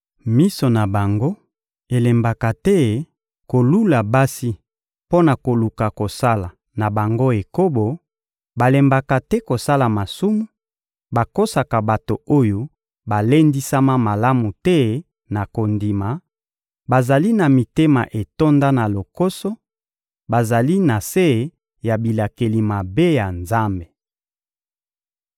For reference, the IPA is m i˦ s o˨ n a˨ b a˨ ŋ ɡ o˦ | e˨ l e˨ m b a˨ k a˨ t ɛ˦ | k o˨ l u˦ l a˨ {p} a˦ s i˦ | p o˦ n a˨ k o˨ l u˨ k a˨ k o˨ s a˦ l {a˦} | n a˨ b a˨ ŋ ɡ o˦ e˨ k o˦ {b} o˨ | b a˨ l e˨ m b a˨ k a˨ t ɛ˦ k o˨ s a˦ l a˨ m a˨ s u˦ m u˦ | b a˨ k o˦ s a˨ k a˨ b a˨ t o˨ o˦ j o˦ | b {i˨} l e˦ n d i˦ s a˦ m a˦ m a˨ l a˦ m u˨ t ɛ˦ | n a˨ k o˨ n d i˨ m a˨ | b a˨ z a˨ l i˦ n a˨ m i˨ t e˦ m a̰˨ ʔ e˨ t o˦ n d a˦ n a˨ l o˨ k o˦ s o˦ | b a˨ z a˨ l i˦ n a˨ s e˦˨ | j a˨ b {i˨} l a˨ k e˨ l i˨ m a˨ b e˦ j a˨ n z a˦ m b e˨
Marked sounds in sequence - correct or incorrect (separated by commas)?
incorrect, incorrect, correct, incorrect, correct